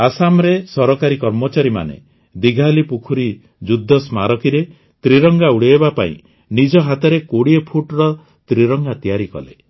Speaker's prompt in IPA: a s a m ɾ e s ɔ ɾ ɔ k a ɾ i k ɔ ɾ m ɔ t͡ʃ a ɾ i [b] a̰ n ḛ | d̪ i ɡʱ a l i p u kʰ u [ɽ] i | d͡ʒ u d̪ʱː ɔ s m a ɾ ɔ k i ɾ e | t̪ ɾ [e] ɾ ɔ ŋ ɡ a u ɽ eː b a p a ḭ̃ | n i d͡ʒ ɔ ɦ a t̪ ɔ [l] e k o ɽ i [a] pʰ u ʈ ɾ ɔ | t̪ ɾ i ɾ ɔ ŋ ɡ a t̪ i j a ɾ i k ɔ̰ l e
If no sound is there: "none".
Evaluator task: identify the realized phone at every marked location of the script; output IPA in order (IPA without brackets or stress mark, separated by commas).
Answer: m, ɾ, i, ɾ, e